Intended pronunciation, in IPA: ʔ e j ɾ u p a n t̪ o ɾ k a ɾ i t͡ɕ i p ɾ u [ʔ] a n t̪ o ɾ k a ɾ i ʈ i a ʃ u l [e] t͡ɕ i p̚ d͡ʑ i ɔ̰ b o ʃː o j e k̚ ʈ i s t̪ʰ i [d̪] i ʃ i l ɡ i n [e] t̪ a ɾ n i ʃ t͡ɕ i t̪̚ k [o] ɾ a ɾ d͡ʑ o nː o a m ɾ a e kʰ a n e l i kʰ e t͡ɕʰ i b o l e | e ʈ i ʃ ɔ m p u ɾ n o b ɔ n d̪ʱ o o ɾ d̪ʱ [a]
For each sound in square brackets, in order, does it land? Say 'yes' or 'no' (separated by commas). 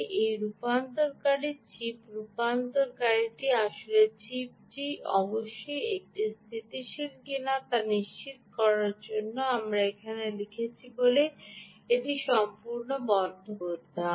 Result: no, yes, no, no, no, yes